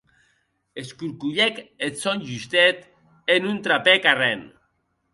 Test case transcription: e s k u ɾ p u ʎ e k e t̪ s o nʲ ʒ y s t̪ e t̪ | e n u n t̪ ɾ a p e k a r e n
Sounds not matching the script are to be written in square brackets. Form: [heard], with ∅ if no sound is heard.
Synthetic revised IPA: e s k u ɾ [k] u ʎ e k e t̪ s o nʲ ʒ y s t̪ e t̪ | e n u n t̪ ɾ a p e k a r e n